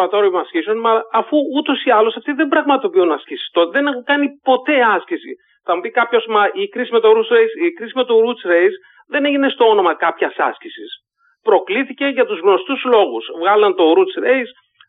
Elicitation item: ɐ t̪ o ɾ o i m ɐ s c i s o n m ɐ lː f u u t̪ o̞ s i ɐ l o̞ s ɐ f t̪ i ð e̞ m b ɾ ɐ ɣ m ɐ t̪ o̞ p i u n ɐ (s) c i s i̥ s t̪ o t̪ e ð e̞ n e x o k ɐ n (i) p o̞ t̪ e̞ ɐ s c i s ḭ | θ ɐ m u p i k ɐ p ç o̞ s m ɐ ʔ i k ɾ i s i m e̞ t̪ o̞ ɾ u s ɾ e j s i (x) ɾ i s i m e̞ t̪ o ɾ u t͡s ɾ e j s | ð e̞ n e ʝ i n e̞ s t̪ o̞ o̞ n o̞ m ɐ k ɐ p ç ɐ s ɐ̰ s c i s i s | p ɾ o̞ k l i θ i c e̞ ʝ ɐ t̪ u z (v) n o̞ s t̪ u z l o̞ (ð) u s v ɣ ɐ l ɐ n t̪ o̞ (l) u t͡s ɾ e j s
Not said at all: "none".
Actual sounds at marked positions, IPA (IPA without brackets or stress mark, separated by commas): s, i, k, ɣ, ɣ, ɾ